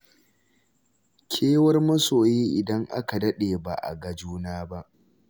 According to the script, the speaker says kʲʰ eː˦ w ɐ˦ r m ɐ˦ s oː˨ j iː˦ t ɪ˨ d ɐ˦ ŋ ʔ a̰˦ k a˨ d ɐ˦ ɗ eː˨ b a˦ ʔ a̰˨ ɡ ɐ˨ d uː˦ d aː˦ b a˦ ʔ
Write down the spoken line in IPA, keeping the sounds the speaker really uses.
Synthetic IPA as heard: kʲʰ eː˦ w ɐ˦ r m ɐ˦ s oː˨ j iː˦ ʔ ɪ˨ d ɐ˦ ŋ ʔ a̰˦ k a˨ d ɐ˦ ɗ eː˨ b a˨ ʔ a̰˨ ɡ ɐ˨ d͡ʒ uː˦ n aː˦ b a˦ ʔ